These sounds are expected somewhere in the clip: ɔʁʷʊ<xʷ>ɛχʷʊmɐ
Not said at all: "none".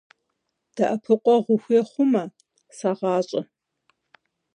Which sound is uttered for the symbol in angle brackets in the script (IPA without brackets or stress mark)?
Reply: xʷ